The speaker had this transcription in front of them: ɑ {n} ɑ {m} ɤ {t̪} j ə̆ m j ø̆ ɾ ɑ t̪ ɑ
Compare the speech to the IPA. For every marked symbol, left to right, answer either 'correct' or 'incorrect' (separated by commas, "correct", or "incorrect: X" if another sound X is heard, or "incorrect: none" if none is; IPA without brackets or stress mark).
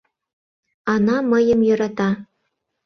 correct, correct, incorrect: none